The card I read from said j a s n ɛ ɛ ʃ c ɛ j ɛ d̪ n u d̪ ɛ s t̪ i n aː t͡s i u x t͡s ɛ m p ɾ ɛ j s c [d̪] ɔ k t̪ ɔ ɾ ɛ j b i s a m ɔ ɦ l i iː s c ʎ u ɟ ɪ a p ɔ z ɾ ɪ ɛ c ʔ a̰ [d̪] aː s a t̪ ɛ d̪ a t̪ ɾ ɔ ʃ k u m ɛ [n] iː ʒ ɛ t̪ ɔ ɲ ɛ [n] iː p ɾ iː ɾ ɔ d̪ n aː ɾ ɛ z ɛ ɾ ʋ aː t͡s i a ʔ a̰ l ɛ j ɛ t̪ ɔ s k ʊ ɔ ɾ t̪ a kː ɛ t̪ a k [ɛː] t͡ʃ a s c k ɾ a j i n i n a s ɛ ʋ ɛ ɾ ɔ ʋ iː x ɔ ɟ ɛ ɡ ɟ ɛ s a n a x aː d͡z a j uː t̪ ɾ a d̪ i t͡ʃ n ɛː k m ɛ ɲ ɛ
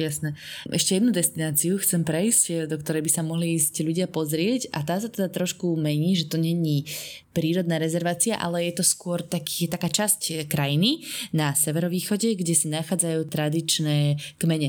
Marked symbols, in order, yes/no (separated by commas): yes, no, no, no, no